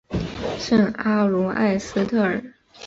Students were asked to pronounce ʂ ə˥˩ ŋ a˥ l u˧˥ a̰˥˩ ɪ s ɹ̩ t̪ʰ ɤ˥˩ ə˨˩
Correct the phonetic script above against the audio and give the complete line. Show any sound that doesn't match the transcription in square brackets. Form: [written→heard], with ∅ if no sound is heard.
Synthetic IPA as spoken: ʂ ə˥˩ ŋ a˥ l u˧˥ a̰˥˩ ɪ s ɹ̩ t̪ʰ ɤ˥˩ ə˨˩